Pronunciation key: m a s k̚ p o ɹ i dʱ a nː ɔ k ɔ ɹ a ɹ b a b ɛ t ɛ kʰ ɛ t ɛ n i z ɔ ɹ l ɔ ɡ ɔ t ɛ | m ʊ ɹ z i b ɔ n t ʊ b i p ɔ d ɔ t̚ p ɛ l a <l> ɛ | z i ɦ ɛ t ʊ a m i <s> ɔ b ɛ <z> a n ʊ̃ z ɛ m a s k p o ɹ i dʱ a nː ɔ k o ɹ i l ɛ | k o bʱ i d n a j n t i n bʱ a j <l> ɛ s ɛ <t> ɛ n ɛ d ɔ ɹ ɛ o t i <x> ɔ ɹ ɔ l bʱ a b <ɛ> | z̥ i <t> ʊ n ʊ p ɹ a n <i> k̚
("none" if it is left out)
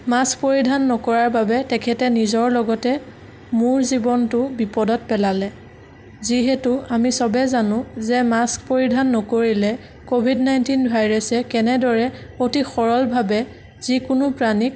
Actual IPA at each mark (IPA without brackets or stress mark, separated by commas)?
l, s, z, ɹ, k, x, ɛ, k, i